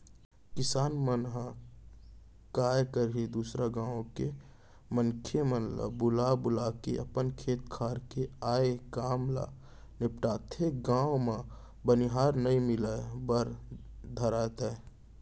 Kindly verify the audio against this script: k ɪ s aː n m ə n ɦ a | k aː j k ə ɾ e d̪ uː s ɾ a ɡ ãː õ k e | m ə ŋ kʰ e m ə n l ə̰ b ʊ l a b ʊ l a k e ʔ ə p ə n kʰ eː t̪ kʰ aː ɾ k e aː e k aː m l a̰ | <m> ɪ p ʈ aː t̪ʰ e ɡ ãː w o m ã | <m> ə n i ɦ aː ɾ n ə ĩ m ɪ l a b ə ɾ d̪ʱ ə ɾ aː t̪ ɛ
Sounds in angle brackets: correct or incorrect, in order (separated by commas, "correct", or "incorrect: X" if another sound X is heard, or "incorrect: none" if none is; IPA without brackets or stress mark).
incorrect: n, incorrect: b